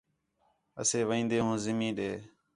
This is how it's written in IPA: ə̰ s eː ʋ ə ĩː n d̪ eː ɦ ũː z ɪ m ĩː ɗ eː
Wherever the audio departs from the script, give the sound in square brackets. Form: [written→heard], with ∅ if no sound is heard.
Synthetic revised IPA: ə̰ s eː ʋ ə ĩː n d̪ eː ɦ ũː z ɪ m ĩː ɗ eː